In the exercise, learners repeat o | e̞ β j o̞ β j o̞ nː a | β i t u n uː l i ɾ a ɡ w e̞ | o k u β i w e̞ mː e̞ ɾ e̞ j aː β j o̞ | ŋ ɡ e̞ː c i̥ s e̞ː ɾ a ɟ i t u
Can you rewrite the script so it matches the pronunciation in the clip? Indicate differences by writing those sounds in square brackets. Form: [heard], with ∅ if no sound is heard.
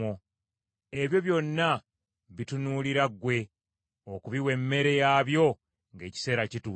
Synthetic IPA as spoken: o | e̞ β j o̞ β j o̞ nː a | β i t u n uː l i ɾ a ɡ w e̞ | o k u β i w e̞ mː e̞ ɾ e̞ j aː β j o̞ | ŋ ɡ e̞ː c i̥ s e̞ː ɾ a [c] i t u